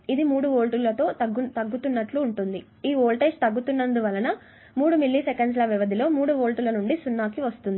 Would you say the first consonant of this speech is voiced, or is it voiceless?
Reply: voiced